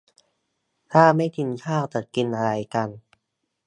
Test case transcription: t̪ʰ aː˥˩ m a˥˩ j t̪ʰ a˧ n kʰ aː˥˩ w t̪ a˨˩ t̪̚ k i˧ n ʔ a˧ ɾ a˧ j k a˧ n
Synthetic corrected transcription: t̪ʰ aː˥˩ m a˥˩ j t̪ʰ i˧ n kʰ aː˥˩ w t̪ a˨˩ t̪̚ k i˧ n ʔ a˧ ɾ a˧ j k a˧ n